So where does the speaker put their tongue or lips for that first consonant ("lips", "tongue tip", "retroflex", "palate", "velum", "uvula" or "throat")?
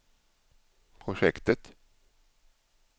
lips